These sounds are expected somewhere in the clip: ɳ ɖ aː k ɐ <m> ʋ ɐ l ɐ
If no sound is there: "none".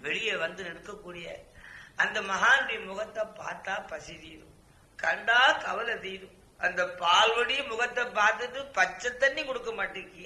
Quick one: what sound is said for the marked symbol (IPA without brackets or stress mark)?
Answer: none